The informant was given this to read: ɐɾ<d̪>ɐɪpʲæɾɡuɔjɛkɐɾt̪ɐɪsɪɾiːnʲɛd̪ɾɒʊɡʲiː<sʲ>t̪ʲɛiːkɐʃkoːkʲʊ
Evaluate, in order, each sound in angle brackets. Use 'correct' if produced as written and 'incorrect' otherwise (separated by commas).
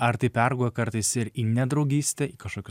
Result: incorrect, correct